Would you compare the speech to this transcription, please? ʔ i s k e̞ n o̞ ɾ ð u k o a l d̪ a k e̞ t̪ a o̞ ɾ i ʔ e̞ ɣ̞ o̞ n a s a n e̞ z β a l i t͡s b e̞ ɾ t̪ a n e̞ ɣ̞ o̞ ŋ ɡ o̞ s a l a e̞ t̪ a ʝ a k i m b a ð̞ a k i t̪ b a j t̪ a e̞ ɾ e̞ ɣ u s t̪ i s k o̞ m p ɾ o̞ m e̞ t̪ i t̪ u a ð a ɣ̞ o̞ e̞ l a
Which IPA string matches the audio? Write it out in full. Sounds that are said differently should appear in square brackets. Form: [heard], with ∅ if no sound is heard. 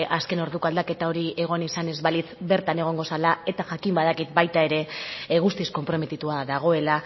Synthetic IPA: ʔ [a] s k e̞ n o̞ ɾ ð u k o a l d̪ a k e̞ t̪ a o̞ ɾ i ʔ e̞ ɣ̞ o̞ n [i] s a n e̞ z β a l i t͡s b e̞ ɾ t̪ a n e̞ ɣ̞ o̞ ŋ ɡ o̞ s a l a e̞ t̪ a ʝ a k i m b a ð̞ a k i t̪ b a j t̪ a e̞ ɾ e̞ ɣ u s t̪ i s k o̞ m p ɾ o̞ m e̞ t̪ i t̪ u a ð a ɣ̞ o̞ e̞ l a